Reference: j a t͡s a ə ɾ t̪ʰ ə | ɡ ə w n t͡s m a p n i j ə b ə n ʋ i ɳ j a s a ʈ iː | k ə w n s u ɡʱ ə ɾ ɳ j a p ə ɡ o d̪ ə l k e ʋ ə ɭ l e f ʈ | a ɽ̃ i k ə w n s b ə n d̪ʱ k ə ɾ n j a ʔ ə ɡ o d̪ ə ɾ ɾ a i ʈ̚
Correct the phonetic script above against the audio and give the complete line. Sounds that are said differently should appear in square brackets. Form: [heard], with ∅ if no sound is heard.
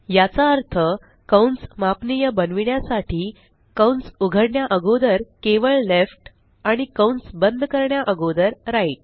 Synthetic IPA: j a t͡s a ə ɾ t̪ʰ ə | [k] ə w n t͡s m a p n i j ə b ə n ʋ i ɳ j a s a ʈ iː | k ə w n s u ɡʱ ə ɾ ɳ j a [ʔ] ə ɡ o d̪ ə [ɾ] k e ʋ ə ɭ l e f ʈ | a ɽ̃ i k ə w n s b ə n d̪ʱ k ə ɾ [ɳ] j a ʔ ə ɡ o d̪ ə ɾ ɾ a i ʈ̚